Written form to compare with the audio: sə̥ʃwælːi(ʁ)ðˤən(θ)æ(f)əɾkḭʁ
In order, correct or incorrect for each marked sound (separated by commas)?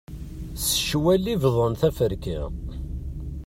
incorrect, correct, correct